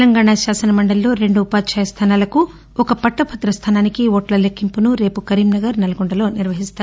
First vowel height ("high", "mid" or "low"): low